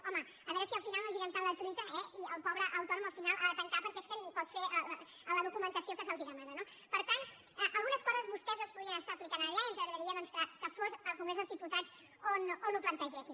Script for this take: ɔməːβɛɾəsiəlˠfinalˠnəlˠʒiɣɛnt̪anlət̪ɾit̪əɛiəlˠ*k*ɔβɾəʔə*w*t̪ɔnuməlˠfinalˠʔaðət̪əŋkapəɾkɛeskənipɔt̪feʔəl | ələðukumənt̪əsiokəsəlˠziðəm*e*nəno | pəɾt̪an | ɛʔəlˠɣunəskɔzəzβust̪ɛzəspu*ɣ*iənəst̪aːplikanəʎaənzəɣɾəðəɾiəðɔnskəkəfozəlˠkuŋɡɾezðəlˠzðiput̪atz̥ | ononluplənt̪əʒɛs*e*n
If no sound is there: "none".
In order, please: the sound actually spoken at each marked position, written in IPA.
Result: p, w, a, ð, i

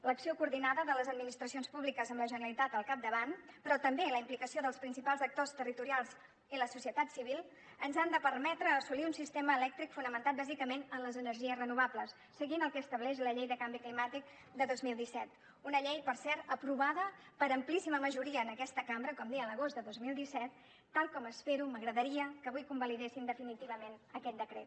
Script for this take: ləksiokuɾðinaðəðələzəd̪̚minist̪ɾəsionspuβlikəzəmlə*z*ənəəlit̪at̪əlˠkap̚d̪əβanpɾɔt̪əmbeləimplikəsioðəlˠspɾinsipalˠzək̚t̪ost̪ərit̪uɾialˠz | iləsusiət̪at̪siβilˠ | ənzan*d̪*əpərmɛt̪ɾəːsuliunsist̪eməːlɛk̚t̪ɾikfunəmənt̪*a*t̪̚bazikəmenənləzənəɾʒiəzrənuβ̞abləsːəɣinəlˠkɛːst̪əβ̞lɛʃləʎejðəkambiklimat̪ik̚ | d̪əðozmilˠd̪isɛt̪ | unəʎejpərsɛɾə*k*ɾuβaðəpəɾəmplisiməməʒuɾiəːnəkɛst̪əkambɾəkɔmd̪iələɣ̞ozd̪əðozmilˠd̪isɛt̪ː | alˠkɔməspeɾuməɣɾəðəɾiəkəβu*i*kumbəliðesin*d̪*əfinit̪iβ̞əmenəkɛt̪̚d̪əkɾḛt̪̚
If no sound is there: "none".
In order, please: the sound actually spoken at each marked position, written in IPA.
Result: ʒ, d̪, a, p, j, d̪

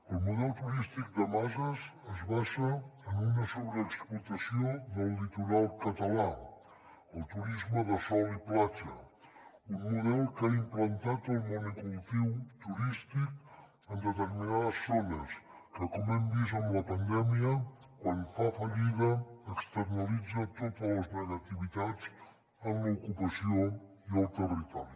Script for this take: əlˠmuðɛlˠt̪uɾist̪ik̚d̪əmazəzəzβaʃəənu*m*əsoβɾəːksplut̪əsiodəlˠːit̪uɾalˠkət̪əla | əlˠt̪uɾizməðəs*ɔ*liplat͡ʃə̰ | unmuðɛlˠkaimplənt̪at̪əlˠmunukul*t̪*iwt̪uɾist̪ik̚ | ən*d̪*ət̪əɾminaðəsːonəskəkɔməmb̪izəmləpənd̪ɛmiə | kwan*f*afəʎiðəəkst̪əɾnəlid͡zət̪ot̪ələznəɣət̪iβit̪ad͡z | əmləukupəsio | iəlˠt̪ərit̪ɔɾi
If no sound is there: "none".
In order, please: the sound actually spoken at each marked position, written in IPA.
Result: n, ɔ, t̪, d̪, f

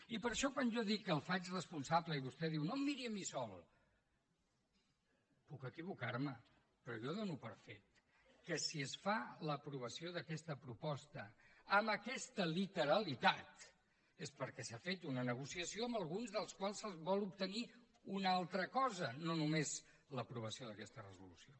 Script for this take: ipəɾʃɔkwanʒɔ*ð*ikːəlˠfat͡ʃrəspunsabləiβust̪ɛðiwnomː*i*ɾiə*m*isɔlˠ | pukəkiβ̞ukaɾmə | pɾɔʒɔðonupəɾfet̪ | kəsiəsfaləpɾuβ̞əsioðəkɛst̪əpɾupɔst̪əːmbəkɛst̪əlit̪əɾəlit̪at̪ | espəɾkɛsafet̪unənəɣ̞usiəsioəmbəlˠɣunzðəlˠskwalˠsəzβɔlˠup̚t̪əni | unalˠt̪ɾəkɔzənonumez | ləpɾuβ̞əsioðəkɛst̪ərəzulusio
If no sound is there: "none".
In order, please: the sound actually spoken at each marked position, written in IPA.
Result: ð, i, m

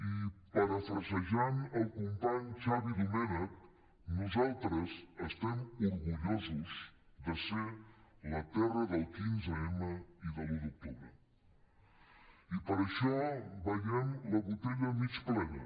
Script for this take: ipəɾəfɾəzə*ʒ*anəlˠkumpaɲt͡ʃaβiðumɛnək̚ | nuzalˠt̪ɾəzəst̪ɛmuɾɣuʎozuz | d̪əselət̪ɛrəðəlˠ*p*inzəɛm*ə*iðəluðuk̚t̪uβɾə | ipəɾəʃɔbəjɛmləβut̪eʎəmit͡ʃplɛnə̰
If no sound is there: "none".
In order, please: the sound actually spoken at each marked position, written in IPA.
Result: ʒ, k, ə

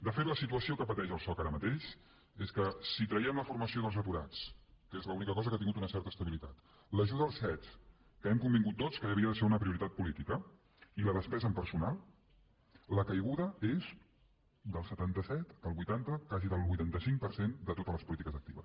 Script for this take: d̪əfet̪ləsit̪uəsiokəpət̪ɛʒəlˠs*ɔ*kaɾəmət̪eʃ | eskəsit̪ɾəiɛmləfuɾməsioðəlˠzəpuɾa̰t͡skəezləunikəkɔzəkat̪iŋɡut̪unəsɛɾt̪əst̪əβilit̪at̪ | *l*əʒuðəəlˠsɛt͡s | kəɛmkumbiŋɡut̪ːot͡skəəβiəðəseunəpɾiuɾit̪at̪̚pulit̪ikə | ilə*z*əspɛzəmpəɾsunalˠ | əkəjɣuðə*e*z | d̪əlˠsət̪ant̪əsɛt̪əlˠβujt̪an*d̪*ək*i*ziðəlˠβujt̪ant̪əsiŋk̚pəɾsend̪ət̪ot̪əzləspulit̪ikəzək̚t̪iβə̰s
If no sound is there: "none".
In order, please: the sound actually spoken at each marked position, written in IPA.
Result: ɔ, l, ð, e, t̪, a

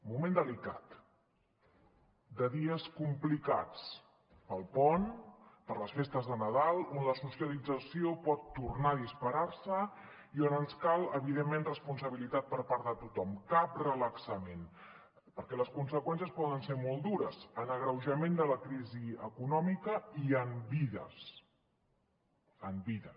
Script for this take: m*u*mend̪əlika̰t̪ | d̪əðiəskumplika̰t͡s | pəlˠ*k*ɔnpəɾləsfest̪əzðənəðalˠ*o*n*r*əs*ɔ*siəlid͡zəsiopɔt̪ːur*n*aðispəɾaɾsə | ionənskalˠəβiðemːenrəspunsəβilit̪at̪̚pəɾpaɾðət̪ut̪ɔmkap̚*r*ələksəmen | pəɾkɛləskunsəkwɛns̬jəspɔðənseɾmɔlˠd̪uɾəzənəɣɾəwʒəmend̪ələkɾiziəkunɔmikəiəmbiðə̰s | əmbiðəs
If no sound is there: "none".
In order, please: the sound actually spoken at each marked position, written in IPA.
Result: u, p, o, l, u, n, r

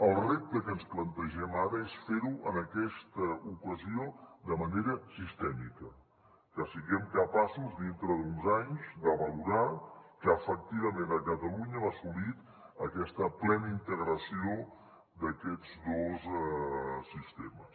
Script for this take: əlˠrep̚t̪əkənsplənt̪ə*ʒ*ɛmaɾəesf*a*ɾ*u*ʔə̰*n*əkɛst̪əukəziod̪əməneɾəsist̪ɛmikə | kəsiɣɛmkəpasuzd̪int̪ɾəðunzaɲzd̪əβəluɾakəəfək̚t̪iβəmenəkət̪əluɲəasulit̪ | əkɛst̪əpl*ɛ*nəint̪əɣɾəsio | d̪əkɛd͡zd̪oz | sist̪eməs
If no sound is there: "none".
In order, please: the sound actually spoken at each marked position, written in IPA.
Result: ʒ, e, u, n, ɛ

